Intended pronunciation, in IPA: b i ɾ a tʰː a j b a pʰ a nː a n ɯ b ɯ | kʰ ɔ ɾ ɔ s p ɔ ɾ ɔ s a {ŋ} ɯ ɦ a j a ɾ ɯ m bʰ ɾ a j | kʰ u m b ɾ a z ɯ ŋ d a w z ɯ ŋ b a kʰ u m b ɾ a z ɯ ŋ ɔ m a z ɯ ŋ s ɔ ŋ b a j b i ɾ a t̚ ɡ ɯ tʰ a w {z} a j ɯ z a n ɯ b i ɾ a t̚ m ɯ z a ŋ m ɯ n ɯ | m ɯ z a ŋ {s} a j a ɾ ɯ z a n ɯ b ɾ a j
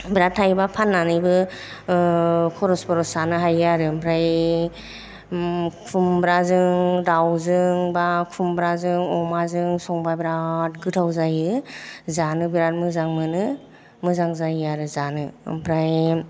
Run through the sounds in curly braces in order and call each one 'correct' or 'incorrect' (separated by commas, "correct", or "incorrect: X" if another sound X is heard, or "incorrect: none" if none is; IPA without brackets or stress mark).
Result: incorrect: n, correct, incorrect: z